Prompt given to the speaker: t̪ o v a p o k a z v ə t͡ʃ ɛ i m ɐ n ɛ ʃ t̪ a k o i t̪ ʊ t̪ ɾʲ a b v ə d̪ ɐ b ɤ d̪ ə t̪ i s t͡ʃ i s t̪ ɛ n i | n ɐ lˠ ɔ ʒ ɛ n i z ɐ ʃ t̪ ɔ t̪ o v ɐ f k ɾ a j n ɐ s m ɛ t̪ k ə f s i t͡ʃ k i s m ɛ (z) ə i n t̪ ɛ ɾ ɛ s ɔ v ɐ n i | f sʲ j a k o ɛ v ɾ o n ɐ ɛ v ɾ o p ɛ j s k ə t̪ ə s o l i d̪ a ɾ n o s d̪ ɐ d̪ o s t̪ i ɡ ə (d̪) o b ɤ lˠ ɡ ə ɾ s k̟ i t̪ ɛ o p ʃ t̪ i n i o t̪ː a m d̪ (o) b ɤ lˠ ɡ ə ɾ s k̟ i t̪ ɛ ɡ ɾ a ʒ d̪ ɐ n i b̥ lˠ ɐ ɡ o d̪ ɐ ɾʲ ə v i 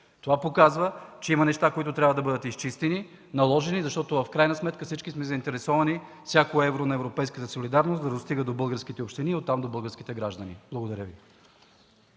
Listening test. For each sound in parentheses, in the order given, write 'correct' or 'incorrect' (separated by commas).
correct, correct, correct